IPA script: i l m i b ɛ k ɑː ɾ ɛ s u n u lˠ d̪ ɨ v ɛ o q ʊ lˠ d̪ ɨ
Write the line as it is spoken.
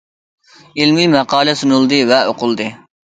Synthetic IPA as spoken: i l m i m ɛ q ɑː l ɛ s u n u lˠ d̪ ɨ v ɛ o q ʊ lˠ d̪ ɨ